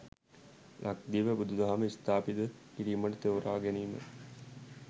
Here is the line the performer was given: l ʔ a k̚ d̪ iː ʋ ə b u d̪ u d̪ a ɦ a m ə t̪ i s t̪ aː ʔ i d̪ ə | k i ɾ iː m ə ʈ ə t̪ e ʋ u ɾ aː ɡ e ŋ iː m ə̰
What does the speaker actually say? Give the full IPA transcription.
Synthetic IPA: l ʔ a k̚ d̪ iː ʋ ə b u d̪ u d̪ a ɦ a m ə i s t̪ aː p i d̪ ə | k i ɾ iː m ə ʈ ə t̪ e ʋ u ɾ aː ɡ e n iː m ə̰